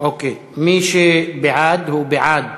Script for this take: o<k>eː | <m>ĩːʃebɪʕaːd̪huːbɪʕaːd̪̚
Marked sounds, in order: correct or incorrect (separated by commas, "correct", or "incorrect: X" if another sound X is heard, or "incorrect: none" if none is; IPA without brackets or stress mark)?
correct, correct